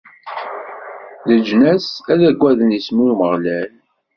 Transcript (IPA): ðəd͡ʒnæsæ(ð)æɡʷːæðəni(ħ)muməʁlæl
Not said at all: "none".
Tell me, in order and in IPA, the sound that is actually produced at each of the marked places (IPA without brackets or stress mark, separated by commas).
ð, s